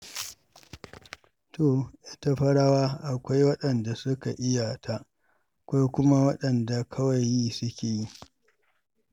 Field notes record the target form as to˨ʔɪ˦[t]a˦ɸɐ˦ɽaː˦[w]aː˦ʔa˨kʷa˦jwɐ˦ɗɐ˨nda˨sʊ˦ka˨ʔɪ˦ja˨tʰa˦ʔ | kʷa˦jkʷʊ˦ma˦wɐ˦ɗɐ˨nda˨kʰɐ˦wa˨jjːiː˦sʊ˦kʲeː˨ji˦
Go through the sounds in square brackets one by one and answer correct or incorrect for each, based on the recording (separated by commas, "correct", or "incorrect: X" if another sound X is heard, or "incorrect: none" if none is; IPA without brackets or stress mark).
correct, correct